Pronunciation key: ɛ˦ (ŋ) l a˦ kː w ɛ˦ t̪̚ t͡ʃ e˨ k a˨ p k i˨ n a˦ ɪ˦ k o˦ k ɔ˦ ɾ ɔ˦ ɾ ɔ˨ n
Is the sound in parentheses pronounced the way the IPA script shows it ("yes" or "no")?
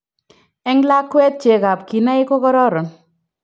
yes